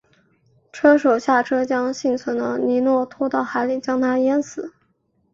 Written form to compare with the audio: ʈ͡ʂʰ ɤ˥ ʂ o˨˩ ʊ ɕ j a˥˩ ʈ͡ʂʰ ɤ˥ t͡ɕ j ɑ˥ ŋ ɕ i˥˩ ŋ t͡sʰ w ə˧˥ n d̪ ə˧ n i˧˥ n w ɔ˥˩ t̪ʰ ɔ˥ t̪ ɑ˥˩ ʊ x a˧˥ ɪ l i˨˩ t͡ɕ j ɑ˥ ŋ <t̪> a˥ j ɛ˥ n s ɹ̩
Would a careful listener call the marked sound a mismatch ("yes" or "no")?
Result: yes